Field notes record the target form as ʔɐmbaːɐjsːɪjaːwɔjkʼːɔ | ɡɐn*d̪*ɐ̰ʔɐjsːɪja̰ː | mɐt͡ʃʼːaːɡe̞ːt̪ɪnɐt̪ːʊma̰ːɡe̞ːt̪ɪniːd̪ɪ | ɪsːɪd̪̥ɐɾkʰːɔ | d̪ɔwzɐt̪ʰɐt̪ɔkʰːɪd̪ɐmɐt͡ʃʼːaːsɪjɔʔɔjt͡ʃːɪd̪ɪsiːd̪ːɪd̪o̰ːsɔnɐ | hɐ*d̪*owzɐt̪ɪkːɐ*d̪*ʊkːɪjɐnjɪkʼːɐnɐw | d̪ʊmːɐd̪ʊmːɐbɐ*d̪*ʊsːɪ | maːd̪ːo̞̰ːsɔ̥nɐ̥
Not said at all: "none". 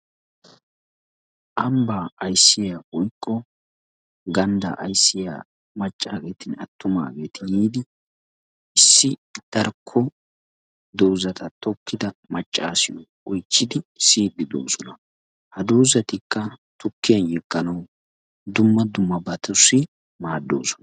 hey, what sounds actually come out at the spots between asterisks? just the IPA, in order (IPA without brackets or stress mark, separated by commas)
d̪, d̪, t̪, t̪